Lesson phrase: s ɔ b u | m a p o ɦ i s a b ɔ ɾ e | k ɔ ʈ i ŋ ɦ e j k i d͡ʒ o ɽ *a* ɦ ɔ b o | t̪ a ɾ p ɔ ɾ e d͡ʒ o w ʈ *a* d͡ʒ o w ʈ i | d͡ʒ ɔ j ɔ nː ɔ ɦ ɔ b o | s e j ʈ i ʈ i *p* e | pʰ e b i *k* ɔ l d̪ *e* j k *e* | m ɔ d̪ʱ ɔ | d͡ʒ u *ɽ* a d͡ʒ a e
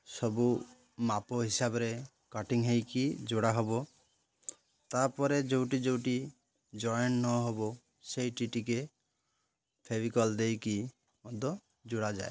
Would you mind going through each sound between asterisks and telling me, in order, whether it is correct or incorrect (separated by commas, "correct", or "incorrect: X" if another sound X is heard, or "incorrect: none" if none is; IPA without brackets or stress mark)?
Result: correct, incorrect: i, incorrect: k, correct, correct, incorrect: i, correct